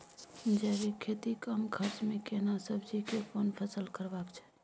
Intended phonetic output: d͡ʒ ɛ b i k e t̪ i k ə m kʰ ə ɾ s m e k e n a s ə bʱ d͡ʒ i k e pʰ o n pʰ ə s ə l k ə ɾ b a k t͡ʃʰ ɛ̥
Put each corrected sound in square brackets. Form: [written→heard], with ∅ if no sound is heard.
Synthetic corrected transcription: d͡ʒ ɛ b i [k→kʰ] e t̪ i k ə m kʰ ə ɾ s m e k e n a s ə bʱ d͡ʒ i k e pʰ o n pʰ ə s ə l k ə ɾ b a k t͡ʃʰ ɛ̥